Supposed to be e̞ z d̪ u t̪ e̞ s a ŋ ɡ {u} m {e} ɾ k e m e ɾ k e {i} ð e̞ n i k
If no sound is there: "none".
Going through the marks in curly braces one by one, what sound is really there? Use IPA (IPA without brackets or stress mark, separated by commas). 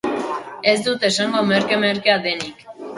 o, e, a